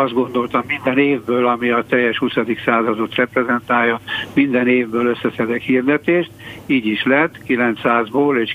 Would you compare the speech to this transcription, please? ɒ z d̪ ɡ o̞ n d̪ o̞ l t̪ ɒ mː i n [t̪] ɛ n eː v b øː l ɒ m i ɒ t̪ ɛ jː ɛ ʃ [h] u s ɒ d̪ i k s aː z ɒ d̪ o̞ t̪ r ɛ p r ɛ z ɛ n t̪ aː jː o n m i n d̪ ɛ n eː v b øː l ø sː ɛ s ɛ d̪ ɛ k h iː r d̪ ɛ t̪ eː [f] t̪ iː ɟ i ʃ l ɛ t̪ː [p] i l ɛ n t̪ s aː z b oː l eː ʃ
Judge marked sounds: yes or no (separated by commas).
no, yes, no, no